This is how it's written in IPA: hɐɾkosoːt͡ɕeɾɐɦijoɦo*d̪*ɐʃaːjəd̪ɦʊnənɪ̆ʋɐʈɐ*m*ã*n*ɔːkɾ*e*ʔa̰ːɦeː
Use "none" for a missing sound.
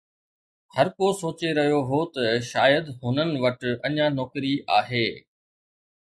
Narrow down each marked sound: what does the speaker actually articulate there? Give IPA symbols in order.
t̪, ɲ, n, i

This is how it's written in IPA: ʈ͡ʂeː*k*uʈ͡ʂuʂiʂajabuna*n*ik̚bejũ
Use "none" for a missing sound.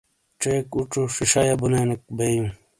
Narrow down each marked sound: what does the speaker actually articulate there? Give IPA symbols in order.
k, n

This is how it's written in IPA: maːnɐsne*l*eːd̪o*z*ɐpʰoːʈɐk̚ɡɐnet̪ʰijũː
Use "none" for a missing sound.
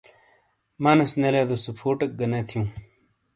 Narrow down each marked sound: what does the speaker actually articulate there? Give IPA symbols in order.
l, s

